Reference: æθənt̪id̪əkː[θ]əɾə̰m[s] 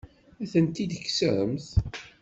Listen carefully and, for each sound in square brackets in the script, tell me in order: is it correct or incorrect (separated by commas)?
incorrect, incorrect